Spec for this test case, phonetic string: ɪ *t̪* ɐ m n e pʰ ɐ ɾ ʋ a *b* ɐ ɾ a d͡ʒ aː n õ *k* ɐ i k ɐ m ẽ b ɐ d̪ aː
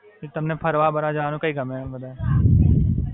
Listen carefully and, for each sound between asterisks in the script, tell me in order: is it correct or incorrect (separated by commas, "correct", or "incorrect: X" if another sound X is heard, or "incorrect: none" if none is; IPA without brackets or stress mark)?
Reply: correct, correct, correct